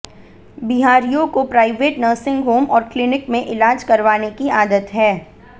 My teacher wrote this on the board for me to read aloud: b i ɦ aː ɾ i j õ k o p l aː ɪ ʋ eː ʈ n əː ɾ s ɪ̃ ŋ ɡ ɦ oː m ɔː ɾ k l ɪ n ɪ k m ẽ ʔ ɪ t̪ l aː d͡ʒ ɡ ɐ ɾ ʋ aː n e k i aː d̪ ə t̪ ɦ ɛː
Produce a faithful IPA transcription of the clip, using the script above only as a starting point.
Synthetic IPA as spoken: b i ɦ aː ɾ i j õ k o p ɾ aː ɪ ʋ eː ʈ n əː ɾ s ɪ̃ ŋ ɡ ɦ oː m ɔː ɾ k l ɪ n ɪ k m ẽ ʔ ɪ l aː d͡ʒ k ɐ ɾ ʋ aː n e k i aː d̪ ə t̪ ɦ ɛː